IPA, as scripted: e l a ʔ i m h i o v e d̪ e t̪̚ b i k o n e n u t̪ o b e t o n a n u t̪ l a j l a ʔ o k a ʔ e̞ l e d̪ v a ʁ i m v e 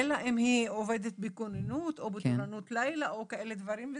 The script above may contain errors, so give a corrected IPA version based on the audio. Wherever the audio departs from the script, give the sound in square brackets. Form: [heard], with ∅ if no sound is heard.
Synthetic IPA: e l a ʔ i m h i o v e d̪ e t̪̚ b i k o n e n u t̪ o b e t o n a n u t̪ l a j l a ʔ o k a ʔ e̞ l e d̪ v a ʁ i m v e